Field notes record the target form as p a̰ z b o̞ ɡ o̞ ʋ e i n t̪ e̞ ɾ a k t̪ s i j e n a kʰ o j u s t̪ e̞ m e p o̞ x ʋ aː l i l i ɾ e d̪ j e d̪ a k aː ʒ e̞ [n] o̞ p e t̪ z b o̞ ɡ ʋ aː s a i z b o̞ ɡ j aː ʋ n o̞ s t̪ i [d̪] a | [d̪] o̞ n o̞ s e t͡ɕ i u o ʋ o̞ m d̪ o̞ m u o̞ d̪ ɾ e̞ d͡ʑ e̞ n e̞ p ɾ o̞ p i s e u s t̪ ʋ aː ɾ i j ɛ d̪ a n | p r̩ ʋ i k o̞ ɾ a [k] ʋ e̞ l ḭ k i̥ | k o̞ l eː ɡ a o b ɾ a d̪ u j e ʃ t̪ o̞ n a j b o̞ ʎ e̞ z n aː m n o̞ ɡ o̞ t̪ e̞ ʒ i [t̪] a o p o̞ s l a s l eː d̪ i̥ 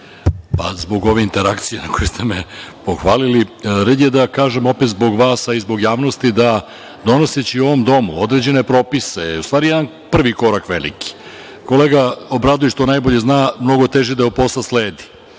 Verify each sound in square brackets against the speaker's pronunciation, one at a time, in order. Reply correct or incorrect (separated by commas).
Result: incorrect, correct, correct, correct, incorrect